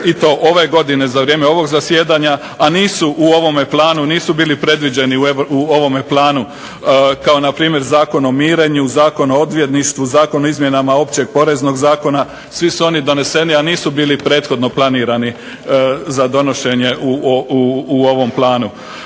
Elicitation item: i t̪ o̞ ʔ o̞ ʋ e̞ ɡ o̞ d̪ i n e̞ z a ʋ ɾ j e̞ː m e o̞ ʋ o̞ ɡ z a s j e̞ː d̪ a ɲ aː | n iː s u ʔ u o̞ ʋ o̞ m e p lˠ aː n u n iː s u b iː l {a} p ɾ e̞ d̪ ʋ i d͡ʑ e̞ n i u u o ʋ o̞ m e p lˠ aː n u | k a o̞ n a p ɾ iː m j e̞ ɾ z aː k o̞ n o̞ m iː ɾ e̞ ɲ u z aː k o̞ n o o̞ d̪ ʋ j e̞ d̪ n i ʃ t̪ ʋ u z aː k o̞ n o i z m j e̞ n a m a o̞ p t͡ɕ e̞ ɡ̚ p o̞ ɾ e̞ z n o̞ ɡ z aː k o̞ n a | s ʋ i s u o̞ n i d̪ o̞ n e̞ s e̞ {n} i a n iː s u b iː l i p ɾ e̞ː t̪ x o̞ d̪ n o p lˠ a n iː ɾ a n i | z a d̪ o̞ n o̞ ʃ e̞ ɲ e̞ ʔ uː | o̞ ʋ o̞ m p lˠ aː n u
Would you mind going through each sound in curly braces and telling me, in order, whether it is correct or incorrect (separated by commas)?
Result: incorrect, correct